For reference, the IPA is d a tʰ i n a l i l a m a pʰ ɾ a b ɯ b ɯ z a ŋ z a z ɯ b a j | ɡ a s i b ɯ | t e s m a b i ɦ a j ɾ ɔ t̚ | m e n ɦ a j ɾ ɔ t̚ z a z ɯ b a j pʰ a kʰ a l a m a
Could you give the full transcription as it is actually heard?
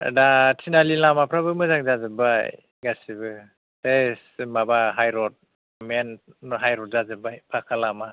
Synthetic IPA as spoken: d a tʰ i n a l i l a m a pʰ ɾ a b ɯ m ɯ z a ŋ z a z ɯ b a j | ɡ a s i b ɯ | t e s m a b a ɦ a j ɾ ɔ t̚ | m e n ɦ a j ɾ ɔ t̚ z a z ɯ b a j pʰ a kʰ a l a m a

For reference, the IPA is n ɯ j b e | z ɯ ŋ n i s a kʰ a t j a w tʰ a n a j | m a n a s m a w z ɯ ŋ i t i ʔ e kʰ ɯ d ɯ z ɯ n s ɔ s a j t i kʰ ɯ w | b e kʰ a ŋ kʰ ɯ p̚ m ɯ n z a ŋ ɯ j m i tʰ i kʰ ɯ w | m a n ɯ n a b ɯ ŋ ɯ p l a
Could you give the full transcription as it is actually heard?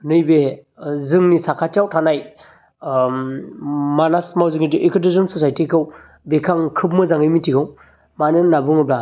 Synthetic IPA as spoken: n ɯ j b e | z ɯ ŋ n i s a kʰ a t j a w tʰ a n a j | m a n a s m a w z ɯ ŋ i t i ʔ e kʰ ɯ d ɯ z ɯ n s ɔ s a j t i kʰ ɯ w | b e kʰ a ŋ kʰ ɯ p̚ m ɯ z a ŋ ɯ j m i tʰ i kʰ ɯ w | m a n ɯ n a b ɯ ŋ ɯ b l a

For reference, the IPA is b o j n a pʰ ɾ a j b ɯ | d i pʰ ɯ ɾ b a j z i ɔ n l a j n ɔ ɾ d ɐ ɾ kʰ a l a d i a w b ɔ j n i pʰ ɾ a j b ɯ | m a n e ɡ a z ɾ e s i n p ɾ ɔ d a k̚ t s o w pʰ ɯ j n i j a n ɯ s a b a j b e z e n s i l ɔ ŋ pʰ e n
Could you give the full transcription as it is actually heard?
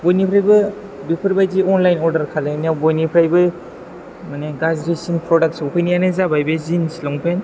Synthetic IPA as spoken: b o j n i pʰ ɾ a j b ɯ | b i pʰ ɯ ɾ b a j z i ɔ n l a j n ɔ ɾ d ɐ ɾ kʰ a l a n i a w b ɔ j n i pʰ ɾ a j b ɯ | m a n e ɡ a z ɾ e s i n p ɾ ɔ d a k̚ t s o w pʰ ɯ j n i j a n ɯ z a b a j b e z i n s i l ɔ ŋ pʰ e n

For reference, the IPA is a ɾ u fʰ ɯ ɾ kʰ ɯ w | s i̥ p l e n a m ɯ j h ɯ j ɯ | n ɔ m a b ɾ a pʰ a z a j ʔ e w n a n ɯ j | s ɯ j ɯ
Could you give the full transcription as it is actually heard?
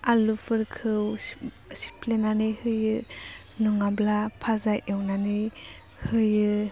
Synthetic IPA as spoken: a l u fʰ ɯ ɾ kʰ ɯ w | s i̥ p l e n a n ɯ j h ɯ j ɯ | n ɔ ŋ a b l a pʰ a z a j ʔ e w n a n ɯ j | h ɯ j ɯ

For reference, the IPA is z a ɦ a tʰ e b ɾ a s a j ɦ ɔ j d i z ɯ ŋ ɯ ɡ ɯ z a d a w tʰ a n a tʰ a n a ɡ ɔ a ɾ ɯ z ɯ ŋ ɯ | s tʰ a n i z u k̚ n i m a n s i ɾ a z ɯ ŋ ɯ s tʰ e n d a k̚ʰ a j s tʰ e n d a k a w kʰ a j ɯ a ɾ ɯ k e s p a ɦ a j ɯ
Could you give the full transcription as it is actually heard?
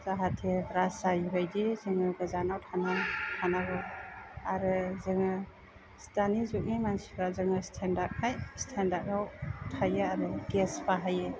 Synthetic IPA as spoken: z a ɦ a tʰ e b ɾ a s a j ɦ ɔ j d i z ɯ ŋ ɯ ɡ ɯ z a n a w tʰ a n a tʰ a n a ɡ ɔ a ɾ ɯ z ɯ ŋ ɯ | s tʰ a n i z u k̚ n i m a n s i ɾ a z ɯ ŋ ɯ s tʰ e n d a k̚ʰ a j s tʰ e n d a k a w tʰ a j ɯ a ɾ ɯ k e s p a ɦ a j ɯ

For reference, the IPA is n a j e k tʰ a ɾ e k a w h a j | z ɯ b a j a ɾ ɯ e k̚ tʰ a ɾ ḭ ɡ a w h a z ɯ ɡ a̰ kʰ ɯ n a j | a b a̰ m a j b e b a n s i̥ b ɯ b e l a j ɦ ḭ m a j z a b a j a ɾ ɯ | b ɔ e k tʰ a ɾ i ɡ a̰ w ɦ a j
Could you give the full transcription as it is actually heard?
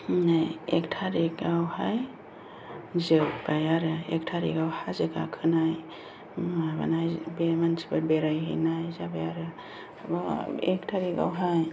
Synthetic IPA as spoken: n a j e k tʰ a ɾ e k a w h a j | z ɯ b a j a ɾ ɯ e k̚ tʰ a ɾ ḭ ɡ a w h a z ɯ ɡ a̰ kʰ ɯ n a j | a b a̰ n a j b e m a n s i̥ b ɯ b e ɾ a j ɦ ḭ n a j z a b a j a ɾ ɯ | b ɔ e k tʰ a ɾ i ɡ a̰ w ɦ a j

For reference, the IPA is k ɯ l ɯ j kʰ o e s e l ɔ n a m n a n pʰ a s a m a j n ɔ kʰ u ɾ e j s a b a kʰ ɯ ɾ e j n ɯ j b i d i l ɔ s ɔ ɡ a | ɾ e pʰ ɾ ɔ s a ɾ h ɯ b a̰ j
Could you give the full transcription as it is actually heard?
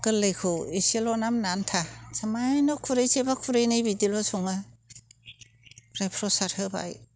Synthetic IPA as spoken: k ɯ l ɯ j kʰ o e s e l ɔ n a m n a n tʰ a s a m a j n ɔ kʰ u ɾ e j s e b a kʰ u ɾ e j n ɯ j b i d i l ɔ s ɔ ŋ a | ɾ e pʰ ɾ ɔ s a ɾ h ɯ b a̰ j

